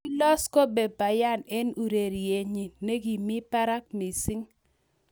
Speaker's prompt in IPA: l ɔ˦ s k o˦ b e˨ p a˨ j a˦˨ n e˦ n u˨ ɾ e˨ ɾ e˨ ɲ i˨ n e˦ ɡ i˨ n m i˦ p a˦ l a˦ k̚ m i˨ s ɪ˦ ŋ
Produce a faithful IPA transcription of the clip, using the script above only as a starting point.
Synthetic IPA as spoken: l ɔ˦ s k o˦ b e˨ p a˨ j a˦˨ n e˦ n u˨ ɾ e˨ ɾ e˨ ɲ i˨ n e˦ ɡ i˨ m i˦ p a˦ ɾ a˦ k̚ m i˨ s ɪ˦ ŋ